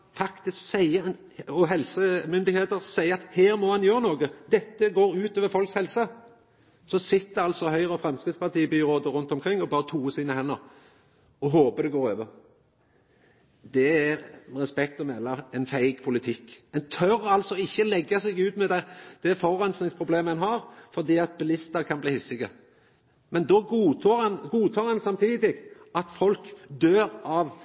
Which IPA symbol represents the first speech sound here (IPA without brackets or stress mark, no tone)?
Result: f